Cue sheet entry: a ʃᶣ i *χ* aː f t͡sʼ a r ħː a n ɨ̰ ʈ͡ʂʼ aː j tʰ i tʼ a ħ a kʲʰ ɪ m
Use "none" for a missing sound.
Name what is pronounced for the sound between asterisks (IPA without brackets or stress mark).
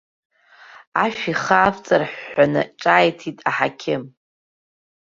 χ